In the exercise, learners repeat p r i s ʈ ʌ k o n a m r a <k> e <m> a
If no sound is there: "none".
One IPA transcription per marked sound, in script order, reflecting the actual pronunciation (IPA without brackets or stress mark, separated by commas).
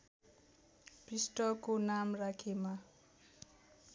kʰ, m